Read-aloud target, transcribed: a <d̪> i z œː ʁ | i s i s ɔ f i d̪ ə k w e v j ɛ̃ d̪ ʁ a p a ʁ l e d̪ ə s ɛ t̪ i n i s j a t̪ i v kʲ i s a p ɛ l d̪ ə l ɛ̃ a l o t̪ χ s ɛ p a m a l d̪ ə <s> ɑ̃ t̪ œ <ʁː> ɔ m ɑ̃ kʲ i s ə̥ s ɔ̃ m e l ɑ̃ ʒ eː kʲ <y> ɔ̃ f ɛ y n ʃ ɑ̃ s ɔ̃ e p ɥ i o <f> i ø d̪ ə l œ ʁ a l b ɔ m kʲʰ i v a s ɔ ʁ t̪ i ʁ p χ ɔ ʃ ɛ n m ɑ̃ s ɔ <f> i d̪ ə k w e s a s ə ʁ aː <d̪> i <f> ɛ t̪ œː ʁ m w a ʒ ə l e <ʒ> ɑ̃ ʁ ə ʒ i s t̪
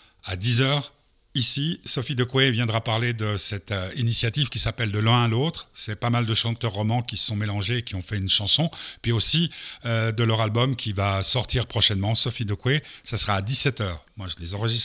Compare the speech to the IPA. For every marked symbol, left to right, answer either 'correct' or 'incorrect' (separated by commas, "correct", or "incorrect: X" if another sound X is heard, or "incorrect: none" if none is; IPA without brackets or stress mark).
correct, incorrect: ʃ, correct, incorrect: i, incorrect: s, correct, correct, incorrect: s, incorrect: z